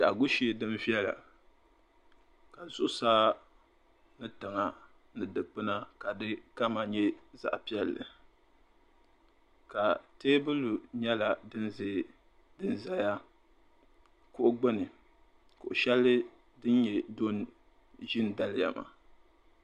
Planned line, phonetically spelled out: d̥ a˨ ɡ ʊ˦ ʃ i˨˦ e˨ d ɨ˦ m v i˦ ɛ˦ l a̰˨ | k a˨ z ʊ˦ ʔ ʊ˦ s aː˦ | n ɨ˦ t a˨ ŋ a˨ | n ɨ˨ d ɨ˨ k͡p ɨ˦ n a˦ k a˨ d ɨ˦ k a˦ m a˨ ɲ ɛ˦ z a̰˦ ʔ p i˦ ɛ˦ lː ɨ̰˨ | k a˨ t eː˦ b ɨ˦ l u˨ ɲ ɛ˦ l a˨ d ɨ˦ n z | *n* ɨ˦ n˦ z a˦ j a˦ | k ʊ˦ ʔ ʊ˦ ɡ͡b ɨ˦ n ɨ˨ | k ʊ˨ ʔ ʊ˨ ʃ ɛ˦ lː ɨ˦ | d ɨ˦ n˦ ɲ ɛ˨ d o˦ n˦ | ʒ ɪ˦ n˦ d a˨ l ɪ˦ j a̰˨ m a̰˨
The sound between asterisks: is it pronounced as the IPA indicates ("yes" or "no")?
no